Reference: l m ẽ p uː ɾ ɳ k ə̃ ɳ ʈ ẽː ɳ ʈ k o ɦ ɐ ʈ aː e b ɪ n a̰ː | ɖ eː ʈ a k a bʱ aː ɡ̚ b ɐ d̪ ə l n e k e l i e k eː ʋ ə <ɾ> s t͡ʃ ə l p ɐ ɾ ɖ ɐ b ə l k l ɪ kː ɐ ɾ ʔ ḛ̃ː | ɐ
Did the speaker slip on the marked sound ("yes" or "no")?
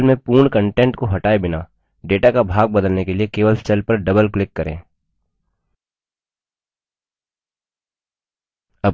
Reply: yes